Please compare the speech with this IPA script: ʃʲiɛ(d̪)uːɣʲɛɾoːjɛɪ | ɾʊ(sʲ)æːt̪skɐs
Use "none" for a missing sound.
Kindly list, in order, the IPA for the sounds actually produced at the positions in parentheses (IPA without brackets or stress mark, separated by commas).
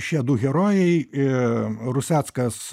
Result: d̪, sʲ